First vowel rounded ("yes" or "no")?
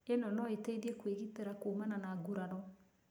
no